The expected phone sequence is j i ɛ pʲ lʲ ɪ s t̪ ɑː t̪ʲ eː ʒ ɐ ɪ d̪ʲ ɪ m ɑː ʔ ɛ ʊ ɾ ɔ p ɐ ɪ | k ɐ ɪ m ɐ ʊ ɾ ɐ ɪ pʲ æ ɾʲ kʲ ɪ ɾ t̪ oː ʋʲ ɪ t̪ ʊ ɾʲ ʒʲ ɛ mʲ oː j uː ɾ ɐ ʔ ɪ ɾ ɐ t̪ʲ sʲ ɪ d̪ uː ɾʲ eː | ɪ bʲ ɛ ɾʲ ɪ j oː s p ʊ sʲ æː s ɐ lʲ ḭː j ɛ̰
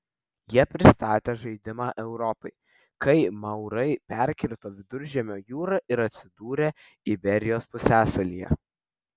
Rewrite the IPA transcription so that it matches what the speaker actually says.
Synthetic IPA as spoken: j i ɛ pʲ ɾʲ ɪ s t̪ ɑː t̪ʲ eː ʒ ɐ ɪ d̪ʲ ɪ m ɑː ʔ ɛ ʊ ɾ ɔ p ɐ ɪ | k ɐ ɪ m ɐ ʊ ɾ ɐ ɪ pʲ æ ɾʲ kʲ ɪ ɾ t̪ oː ʋʲ ɪ d̪ ʊ ɾʲ ʒʲ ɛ mʲ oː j uː ɾ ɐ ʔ ɪ ɾ ɐ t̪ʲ sʲ ɪ d̪ uː ɾʲ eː | ɪ bʲ ɛ ɾʲ ɪ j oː s p ʊ sʲ æː s ɐ lʲ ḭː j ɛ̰